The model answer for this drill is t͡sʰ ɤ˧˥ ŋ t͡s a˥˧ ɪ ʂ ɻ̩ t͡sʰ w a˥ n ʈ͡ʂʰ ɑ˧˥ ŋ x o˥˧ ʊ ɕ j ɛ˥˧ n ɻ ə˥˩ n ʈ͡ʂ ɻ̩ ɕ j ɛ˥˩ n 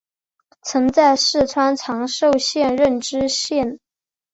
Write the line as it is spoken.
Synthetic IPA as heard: t͡sʰ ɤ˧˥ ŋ t͡s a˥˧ ɪ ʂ ɻ̩ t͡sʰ w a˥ n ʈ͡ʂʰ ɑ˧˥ ŋ ʂ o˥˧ ʊ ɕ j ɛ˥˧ n ɻ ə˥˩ n ʈ͡ʂ ɻ̩ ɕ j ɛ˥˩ n